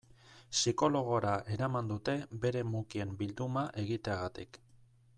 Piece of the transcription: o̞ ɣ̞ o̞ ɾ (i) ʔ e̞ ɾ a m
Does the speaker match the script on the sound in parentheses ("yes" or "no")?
no